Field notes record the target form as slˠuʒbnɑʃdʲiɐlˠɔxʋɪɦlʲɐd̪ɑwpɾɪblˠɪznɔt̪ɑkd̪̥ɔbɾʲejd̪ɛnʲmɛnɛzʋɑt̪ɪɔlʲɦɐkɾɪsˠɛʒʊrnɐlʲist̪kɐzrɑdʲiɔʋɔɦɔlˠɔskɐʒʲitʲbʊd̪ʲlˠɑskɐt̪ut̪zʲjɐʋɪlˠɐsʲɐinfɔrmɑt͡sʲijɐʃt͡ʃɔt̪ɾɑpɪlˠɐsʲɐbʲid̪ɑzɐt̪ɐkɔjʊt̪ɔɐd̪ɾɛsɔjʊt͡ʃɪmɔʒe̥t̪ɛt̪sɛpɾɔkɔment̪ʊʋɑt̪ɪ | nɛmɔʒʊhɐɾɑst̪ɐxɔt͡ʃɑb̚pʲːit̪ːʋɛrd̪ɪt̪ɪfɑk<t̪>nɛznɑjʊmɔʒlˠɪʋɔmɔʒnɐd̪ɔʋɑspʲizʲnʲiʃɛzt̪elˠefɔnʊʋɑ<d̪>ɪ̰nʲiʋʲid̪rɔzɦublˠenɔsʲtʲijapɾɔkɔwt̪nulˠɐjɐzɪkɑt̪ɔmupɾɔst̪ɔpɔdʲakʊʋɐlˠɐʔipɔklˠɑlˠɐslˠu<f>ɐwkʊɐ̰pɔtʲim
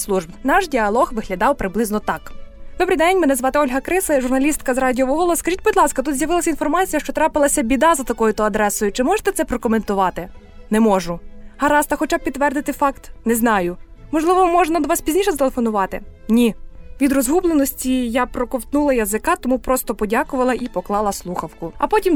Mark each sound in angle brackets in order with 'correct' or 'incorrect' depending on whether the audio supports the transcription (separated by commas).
correct, incorrect, incorrect